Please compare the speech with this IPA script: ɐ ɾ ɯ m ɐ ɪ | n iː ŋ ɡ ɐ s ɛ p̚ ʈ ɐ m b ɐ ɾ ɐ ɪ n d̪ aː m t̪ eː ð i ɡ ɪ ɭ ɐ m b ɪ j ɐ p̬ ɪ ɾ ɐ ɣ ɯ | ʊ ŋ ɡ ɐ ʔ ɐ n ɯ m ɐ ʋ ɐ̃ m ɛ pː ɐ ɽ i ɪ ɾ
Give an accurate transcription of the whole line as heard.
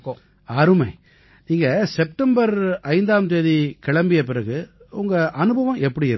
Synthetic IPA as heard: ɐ ɾ ɯ m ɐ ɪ | n iː ŋ ɡ ɐ s ɛ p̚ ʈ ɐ m b ɐ ɾ ɐ ɪ n d̪ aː m t̪ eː ð i k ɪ ɭ ɐ m b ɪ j ɐ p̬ ɪ ɾ ɐ ɣ ɯ | ʊ ŋ ɡ ɐ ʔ ɐ n ɯ b ɐ ʋ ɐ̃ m ɛ pː ɐ ɽ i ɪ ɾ